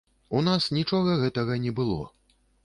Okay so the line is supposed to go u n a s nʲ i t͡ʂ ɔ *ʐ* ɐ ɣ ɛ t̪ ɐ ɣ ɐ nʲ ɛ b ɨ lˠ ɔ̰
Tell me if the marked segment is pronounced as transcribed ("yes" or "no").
no